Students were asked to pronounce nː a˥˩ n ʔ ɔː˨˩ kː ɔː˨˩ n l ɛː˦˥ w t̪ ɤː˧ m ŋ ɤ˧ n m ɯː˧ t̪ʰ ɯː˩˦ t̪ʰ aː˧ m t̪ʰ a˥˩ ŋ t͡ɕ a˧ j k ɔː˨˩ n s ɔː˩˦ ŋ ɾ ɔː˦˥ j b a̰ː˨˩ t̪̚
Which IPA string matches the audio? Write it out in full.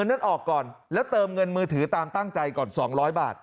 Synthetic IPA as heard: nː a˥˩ n ʔ ɔː˨˩ kː ɔː˨˩ n l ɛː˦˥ w t̪ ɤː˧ m ŋ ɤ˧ n m ɯː˧ t̪ʰ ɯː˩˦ t̪ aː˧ m t̪ a˥˩ ŋ t͡ɕ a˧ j k ɔː˨˩ n s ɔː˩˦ ŋ ɾ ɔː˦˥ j b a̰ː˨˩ t̪̚